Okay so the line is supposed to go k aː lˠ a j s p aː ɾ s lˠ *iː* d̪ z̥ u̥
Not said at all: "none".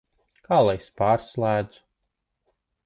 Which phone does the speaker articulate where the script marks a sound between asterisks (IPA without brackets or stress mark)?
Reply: æː